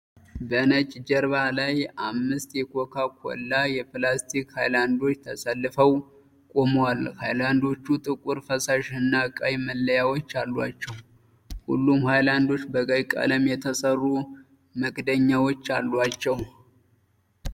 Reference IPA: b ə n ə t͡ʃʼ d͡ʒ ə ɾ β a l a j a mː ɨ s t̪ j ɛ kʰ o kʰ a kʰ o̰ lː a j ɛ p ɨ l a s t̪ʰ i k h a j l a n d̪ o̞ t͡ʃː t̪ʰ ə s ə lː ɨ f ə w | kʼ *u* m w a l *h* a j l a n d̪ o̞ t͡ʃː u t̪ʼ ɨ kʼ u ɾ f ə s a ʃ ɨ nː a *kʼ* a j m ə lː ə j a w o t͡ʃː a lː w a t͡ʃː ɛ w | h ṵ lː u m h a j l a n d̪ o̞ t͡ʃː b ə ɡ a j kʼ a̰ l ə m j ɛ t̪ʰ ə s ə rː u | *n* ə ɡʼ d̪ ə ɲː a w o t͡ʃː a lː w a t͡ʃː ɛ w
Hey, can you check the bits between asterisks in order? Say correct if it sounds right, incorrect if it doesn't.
incorrect, correct, correct, incorrect

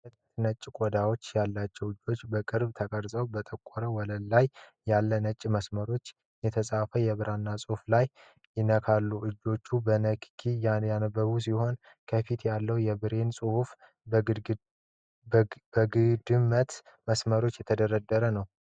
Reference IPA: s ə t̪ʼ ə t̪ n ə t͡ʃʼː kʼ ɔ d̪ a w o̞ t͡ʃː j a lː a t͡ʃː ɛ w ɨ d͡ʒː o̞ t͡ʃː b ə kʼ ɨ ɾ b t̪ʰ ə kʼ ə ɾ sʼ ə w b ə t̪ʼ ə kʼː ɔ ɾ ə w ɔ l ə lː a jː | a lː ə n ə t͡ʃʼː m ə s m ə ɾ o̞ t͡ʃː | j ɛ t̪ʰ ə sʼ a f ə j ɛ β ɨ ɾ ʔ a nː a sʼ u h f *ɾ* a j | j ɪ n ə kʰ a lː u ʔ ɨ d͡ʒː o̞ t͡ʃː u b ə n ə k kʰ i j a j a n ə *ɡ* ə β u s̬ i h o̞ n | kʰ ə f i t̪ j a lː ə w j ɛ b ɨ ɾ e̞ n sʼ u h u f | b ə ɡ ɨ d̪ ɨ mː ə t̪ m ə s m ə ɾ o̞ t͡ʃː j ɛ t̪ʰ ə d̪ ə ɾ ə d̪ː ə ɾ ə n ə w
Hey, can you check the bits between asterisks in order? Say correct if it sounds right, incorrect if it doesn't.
incorrect, incorrect

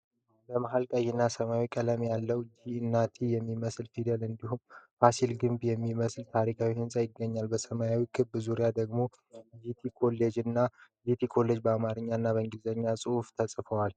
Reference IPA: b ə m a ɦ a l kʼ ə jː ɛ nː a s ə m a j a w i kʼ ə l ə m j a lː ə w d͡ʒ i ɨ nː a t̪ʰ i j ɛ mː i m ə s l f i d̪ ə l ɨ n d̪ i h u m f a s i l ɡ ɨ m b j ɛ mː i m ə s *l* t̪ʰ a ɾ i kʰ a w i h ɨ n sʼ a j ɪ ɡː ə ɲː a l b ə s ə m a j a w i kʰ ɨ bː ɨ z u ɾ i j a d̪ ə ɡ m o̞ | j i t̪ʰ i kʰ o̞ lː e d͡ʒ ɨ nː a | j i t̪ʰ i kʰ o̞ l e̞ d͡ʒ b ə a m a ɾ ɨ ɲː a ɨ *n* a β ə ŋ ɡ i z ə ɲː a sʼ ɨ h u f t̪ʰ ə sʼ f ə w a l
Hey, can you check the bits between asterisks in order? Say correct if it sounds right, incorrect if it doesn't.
correct, incorrect

